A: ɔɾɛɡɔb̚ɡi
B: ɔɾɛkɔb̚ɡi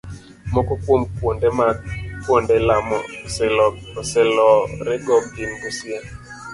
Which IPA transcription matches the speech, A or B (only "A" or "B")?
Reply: A